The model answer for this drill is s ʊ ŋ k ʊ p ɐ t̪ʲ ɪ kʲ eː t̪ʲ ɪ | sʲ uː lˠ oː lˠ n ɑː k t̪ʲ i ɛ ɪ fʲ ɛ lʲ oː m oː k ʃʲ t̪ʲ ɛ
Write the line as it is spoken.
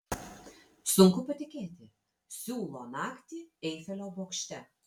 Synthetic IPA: s ʊ ŋ k ʊ p ɐ t̪ʲ ɪ kʲ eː t̪ʲ ɪ | sʲ uː lˠ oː n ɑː k t̪ʲ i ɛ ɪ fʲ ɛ lʲ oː b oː k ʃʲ t̪ʲ ɛ